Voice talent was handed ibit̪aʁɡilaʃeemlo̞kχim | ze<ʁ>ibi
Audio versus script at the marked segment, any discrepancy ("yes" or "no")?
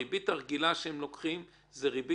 no